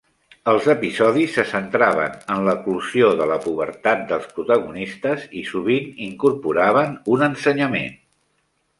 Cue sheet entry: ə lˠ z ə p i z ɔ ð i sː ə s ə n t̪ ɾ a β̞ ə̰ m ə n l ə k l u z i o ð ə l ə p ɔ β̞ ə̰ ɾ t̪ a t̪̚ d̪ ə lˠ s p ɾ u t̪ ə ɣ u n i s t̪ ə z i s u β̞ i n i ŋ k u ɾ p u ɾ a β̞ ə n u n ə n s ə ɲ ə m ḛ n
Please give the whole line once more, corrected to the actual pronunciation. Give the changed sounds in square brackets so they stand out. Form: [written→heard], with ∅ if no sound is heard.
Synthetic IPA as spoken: ə lˠ z ə p i z ɔ ð i sː ə s ə n t̪ ɾ a β̞ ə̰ [m→n] ə n l ə k l u z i o ð ə l ə p [ɔ→u] β̞ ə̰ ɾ t̪ a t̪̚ d̪ ə lˠ s p ɾ u t̪ ə ɣ u n i s t̪ ə z i s u β̞ i n i ŋ k u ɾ p u ɾ a β̞ ə n u n ə n s ə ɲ ə m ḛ n